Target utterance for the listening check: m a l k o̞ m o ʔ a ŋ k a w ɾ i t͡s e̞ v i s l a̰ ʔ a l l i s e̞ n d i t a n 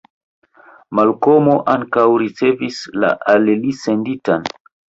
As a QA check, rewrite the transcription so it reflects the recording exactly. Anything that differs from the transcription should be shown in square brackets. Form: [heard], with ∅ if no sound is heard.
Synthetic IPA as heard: m a l k o̞ m o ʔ a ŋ k a w ɾ i t͡s e̞ v i s l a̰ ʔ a l l i s e̞ n d i t a n